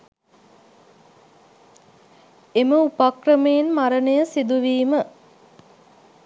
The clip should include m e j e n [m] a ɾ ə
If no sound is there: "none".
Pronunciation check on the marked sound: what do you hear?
m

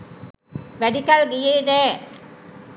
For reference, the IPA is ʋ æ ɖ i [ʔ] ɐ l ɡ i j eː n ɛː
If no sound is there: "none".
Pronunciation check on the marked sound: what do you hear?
k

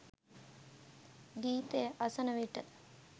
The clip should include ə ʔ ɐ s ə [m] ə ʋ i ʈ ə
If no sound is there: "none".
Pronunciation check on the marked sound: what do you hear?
n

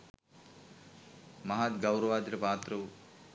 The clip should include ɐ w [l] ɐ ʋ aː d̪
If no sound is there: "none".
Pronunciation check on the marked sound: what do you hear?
ɾ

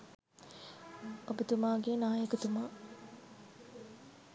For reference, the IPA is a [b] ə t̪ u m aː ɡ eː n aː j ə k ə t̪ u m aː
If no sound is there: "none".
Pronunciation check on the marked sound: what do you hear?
b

